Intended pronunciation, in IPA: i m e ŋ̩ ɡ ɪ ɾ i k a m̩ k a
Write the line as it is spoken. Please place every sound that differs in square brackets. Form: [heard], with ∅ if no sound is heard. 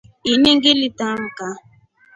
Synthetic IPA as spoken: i [n] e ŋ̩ ɡ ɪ [l] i [t] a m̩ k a